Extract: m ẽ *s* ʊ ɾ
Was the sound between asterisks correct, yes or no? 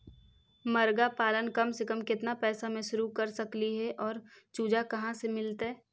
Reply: no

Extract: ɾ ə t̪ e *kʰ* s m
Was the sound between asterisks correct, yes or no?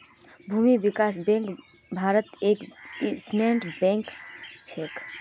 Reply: no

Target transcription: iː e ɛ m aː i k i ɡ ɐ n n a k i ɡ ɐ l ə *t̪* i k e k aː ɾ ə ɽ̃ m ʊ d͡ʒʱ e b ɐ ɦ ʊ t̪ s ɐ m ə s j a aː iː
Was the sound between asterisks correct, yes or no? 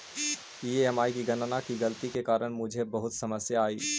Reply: yes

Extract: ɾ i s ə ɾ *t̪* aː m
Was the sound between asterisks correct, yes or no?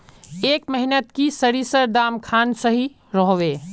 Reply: no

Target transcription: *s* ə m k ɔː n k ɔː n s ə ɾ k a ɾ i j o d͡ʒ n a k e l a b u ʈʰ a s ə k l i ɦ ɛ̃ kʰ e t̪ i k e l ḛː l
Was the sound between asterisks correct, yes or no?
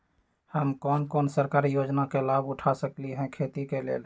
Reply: no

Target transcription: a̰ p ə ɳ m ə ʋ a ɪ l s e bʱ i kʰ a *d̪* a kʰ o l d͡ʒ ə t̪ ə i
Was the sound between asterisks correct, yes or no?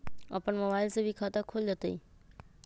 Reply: no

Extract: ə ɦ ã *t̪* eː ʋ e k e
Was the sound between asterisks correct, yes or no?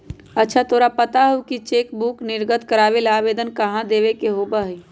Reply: no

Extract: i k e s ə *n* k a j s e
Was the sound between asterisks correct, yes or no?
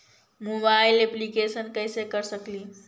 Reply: yes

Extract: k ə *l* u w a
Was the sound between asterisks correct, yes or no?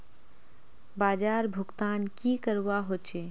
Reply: no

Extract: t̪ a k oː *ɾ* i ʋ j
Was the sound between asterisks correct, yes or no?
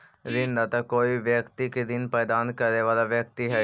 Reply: no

